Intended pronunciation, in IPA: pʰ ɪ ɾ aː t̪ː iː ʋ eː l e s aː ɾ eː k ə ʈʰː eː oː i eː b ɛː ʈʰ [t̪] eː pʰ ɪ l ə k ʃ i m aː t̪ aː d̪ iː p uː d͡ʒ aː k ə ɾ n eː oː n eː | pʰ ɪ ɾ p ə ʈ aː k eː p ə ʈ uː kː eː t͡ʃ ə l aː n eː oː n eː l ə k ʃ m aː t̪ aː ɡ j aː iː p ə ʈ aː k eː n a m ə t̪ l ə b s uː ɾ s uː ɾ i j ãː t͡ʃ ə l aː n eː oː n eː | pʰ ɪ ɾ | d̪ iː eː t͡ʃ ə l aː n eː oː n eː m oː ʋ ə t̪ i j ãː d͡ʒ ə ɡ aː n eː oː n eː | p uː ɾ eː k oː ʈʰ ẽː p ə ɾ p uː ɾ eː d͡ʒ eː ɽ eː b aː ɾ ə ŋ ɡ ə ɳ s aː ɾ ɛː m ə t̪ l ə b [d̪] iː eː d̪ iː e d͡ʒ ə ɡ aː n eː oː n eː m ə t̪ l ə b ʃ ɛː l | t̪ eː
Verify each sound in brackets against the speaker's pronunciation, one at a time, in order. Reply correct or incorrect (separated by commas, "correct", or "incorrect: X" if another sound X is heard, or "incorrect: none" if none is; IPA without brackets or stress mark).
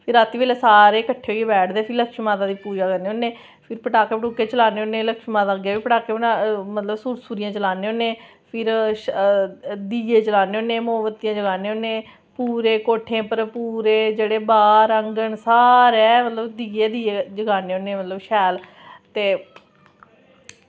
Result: incorrect: d̪, correct